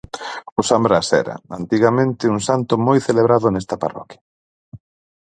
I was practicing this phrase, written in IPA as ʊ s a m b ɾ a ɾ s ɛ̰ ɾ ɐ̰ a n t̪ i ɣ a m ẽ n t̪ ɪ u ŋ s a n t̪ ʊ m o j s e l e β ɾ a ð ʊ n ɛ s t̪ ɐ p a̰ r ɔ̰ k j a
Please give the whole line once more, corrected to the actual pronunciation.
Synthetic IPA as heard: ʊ s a m b ɾ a s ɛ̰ ɾ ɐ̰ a n t̪ i ɣ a m ẽ n t̪ ɪ u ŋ s a n t̪ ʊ m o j θ e l e β ɾ a ð ʊ n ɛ s t̪ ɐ p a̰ r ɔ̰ k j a